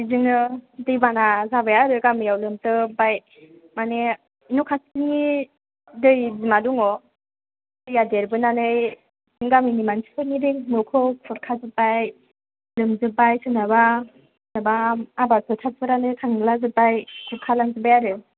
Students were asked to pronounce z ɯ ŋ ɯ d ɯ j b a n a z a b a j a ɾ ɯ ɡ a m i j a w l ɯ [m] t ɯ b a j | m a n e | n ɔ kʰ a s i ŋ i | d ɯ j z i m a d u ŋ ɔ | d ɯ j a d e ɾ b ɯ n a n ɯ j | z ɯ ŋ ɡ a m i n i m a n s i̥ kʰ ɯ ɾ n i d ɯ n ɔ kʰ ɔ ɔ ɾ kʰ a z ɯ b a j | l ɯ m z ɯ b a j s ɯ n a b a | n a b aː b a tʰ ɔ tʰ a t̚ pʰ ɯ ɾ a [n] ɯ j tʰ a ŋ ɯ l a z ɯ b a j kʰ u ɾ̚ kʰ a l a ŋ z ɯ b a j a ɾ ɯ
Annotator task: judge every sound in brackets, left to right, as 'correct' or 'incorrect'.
correct, correct

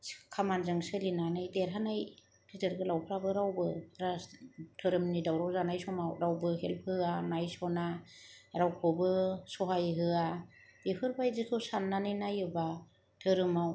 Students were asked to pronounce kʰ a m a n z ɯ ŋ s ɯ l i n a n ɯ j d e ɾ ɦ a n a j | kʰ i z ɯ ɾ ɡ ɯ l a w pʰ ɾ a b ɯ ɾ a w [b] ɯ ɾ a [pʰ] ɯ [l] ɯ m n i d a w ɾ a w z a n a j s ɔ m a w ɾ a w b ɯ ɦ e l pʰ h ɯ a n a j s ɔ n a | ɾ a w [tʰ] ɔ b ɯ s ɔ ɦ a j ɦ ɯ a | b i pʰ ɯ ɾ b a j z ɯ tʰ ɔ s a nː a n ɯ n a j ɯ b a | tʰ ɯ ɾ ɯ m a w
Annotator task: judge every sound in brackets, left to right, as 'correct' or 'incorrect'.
correct, incorrect, incorrect, incorrect

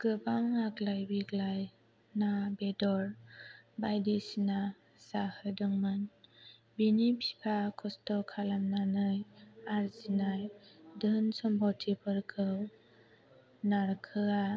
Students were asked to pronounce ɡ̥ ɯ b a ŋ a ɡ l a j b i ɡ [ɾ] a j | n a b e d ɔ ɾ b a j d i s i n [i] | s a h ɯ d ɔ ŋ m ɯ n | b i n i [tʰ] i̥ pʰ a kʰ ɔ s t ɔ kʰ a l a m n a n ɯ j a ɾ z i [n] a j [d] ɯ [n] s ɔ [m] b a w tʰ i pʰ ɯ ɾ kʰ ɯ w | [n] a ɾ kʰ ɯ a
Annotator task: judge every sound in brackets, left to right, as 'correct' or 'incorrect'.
incorrect, incorrect, incorrect, correct, correct, correct, correct, correct

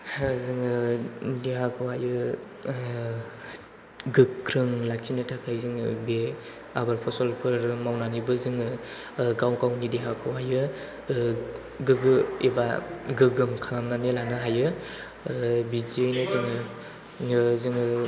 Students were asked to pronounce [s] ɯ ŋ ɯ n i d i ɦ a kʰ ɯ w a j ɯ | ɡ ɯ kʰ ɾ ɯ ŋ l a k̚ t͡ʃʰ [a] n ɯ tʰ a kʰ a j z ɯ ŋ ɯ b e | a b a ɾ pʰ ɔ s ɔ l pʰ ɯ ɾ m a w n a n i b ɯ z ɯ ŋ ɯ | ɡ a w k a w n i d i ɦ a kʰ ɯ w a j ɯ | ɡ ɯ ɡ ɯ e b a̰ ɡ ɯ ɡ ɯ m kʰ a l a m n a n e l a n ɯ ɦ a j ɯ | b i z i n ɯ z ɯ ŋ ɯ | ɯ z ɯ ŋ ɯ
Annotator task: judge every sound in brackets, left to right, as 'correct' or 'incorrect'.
incorrect, incorrect

